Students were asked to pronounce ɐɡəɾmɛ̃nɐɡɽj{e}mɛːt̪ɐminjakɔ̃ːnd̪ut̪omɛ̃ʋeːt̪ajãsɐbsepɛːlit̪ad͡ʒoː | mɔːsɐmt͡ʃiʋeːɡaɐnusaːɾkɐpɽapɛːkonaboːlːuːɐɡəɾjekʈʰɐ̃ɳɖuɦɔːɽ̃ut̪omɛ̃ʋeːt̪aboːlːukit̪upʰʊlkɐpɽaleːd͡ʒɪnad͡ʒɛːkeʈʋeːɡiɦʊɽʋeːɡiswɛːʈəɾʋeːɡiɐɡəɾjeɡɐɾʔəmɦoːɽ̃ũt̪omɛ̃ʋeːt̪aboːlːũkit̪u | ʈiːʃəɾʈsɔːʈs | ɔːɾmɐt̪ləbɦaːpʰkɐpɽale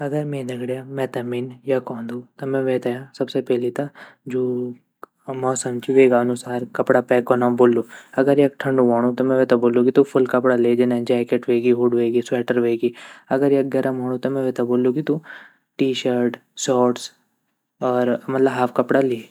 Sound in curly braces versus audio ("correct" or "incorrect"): incorrect